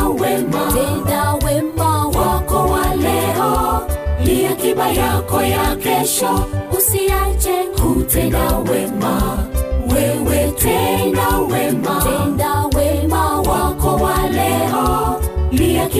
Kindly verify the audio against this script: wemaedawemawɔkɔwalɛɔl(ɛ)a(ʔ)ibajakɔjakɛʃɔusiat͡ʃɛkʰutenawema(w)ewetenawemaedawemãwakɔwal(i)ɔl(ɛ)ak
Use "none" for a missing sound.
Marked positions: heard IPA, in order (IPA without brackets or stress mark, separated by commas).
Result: i, k, w, ɛ, i